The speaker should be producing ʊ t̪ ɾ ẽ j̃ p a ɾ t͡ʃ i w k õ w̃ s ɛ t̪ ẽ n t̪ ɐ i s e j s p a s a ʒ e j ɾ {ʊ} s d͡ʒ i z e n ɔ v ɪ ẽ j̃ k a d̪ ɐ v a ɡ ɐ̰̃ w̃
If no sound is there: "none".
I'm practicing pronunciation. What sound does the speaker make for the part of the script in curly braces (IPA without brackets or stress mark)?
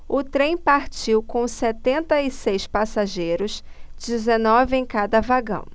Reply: ʊ